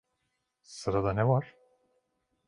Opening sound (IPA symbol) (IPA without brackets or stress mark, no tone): s